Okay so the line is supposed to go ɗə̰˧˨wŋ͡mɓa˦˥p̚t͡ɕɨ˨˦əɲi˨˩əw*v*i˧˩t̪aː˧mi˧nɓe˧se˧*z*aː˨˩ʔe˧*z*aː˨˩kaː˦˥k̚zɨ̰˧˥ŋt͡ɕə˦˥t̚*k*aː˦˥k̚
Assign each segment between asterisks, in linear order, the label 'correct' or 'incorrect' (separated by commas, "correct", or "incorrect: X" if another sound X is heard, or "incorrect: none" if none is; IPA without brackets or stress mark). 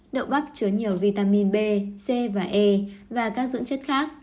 correct, incorrect: v, incorrect: v, incorrect: x